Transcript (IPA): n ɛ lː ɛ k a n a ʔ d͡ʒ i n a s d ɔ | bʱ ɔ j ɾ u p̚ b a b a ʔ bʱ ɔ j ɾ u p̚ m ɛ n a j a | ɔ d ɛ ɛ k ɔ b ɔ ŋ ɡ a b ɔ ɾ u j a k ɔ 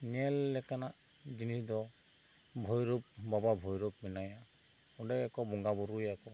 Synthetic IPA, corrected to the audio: n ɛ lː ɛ k a n a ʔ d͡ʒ i n i s d ɔ | bʱ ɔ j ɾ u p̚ b a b a bʱ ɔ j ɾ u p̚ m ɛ n a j a | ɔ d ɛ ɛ k ɔ b ɔ ŋ ɡ a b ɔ ɾ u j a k ɔ